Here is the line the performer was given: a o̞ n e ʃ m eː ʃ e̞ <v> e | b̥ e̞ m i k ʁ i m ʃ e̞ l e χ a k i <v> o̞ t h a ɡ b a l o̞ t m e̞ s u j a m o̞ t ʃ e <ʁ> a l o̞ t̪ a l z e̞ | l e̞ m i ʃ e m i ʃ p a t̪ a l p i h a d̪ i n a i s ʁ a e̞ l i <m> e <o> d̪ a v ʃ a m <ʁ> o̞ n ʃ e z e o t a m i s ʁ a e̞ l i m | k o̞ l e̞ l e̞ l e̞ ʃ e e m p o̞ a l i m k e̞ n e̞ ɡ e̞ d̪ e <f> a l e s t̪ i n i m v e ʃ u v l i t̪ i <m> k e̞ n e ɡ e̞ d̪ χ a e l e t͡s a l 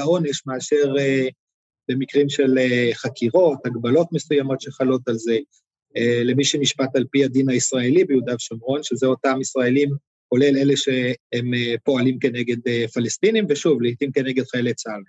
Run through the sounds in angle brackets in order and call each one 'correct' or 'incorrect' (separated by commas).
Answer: incorrect, incorrect, incorrect, incorrect, incorrect, correct, correct, correct